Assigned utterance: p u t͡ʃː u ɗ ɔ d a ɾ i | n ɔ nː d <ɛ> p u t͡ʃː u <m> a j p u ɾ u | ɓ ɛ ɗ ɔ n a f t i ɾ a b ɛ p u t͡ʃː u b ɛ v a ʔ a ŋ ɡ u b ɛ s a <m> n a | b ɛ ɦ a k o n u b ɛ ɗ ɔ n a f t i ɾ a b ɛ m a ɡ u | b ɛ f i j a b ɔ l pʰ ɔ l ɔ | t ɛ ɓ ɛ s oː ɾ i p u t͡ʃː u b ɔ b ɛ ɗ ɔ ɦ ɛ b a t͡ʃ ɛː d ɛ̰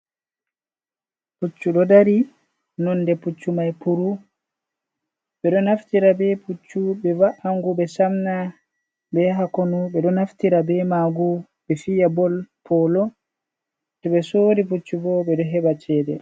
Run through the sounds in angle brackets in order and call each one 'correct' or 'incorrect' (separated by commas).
correct, correct, correct